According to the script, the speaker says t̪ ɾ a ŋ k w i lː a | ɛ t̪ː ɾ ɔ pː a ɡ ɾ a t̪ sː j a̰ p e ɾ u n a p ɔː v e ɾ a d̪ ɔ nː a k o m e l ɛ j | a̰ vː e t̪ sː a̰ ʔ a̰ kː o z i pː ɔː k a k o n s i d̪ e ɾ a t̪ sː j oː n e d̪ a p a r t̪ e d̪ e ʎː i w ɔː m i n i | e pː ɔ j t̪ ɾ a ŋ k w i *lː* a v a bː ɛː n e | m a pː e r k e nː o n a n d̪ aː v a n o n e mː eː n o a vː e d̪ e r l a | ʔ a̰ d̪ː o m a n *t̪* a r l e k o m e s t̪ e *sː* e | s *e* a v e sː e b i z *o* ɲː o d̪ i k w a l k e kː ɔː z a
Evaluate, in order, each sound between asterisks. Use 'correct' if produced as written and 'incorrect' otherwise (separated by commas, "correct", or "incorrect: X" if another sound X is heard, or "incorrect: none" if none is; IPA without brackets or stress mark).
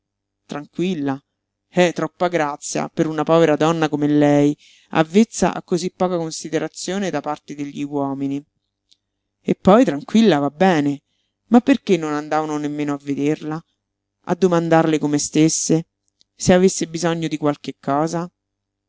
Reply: correct, incorrect: d̪, correct, correct, incorrect: ɔ